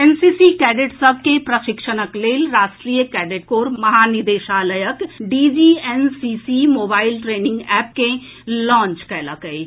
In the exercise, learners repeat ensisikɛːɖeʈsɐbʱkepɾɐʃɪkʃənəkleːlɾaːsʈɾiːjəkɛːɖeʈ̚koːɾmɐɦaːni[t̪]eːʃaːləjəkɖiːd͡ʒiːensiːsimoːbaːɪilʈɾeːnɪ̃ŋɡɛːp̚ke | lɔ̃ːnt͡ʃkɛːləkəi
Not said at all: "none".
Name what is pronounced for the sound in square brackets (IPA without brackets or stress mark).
d̪